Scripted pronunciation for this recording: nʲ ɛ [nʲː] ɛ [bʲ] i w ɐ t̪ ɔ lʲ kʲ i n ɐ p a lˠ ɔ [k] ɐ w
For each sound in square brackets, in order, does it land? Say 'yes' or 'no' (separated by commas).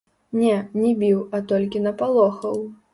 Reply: no, yes, no